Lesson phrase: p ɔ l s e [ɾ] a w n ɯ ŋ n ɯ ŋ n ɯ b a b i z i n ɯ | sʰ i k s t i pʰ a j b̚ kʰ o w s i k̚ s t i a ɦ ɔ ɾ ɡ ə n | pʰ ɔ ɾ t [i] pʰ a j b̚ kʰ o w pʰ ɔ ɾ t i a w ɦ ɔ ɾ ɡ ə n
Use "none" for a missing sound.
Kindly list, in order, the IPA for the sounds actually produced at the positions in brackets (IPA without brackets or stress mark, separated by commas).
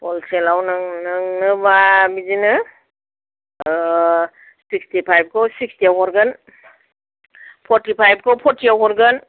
l, i